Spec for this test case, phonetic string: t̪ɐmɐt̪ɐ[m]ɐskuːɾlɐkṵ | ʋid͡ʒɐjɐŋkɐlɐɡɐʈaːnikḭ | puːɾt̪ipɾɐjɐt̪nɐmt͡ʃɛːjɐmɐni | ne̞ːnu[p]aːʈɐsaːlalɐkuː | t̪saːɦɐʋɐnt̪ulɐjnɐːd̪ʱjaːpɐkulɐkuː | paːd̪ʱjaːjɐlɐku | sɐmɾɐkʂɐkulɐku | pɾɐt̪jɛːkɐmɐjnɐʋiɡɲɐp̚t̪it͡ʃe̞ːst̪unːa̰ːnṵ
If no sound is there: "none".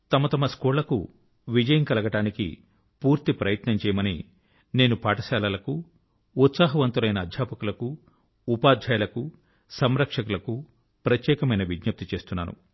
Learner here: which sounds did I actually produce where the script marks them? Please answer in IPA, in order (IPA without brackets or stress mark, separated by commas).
m, p